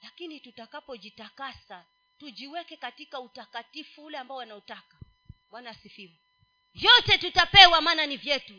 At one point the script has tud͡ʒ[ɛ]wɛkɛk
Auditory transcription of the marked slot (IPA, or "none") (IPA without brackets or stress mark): i